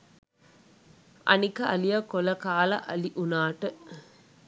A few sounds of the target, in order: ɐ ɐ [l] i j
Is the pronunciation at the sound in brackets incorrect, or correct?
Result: correct